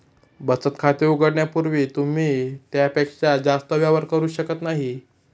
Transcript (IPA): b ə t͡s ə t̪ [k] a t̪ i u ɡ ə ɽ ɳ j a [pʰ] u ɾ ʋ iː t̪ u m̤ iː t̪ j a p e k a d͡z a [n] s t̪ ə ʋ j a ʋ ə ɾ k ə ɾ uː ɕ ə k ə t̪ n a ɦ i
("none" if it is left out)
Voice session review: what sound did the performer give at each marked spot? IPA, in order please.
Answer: kʰ, p, none

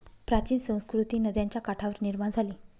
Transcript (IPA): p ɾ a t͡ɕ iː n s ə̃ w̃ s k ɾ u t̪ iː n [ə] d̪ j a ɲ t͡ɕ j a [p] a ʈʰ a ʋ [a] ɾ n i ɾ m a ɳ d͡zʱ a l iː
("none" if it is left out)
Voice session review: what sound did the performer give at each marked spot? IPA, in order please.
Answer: ə, k, ə

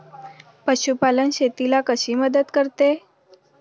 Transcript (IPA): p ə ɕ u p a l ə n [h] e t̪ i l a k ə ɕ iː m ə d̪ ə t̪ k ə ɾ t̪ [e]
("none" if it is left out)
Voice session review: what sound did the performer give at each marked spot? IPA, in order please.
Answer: ɕ, e

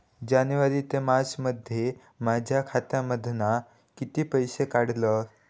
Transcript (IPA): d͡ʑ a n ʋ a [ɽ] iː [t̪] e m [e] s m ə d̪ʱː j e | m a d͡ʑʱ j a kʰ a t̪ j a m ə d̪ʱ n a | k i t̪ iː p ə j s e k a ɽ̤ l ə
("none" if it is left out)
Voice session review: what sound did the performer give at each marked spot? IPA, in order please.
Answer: ɾ, t̪, a

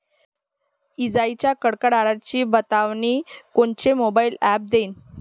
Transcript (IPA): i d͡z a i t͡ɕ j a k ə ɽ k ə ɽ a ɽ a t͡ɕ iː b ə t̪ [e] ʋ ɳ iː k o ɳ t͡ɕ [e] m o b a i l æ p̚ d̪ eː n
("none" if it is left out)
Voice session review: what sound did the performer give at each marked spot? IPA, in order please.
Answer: a, e

